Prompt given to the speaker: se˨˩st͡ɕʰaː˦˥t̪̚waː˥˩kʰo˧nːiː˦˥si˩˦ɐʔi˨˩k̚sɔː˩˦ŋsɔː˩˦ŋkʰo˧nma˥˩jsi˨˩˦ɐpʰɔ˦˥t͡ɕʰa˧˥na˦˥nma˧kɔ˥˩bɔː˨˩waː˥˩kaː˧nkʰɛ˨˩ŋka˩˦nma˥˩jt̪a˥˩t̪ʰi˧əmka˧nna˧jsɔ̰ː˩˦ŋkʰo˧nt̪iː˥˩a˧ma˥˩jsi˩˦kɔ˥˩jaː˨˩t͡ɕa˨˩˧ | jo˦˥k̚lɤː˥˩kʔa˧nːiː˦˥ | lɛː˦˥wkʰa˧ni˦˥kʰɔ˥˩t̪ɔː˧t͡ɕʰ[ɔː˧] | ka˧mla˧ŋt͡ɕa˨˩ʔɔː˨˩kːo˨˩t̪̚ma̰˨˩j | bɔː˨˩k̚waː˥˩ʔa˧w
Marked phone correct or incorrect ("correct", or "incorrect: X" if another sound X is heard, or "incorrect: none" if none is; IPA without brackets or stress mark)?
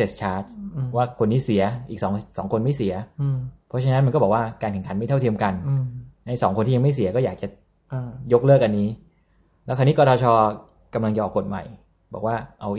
correct